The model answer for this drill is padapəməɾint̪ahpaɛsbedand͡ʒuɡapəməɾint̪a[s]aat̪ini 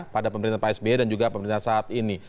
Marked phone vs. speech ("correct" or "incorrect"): correct